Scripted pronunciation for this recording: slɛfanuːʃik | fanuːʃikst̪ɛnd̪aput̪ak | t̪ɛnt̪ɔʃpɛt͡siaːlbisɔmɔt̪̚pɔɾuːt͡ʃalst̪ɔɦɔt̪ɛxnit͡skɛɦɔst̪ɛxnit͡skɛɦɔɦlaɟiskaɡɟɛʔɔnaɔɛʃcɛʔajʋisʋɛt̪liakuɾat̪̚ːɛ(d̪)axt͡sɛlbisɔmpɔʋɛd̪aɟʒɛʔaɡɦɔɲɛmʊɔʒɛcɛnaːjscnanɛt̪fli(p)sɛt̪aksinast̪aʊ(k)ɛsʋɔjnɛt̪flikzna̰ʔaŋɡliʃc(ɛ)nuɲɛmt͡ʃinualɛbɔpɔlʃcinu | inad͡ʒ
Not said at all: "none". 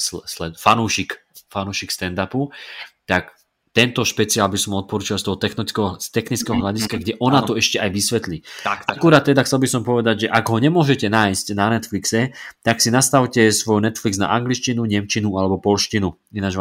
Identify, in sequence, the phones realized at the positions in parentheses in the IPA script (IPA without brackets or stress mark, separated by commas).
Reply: d̪, k, c, i